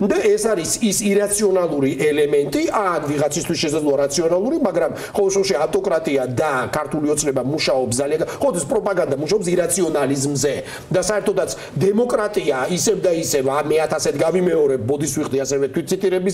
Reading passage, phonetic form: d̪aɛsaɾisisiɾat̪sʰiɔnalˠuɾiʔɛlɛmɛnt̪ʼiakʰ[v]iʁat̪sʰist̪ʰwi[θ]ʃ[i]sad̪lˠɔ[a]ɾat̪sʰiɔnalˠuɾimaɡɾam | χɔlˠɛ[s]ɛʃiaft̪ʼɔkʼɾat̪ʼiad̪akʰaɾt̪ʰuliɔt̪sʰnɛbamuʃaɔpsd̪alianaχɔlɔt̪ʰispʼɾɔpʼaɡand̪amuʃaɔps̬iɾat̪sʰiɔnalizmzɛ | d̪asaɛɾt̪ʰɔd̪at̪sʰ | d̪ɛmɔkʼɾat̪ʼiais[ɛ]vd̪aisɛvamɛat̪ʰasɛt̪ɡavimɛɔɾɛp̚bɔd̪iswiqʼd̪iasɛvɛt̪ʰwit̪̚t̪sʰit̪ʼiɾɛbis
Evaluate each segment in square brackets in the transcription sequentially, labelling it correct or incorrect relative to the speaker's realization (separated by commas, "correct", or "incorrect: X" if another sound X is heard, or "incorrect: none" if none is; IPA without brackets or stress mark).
correct, incorrect: s, incorrect: ɛ, correct, incorrect: ʃ, correct